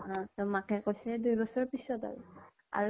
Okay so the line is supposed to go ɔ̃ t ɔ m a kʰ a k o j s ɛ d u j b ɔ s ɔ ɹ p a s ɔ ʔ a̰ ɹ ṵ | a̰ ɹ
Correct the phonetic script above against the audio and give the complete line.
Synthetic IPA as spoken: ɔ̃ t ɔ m a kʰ ɛ k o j s ɛ d u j b ɔ s ɔ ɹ p i s ɔ t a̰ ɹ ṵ | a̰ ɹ